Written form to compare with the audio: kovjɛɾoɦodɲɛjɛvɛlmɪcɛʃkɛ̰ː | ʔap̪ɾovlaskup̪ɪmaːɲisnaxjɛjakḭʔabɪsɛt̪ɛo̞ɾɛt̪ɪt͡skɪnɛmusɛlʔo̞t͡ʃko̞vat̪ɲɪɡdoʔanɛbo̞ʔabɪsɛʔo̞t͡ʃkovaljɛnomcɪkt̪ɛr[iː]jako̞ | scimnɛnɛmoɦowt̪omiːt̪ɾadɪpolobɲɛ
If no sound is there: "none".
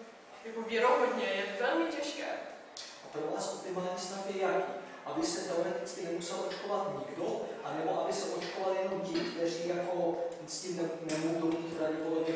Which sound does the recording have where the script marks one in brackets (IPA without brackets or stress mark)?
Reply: iː